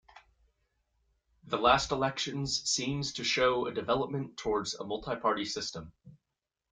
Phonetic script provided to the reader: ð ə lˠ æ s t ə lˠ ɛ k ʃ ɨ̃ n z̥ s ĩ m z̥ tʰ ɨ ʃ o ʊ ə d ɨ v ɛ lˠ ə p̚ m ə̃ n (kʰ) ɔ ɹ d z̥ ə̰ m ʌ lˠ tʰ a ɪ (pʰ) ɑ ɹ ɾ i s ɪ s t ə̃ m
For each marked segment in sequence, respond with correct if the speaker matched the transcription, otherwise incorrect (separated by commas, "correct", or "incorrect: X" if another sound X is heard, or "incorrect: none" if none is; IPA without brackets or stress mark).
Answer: incorrect: tʰ, correct